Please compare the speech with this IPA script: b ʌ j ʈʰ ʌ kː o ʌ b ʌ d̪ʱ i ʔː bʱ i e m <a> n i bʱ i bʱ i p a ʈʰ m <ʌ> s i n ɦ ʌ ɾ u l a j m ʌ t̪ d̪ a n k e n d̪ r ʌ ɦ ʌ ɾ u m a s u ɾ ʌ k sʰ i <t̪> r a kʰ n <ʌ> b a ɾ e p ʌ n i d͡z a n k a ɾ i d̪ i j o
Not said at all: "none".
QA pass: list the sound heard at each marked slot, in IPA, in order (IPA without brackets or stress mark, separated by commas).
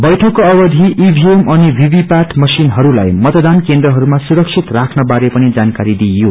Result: ʌ, ʌ, t̪, ʌ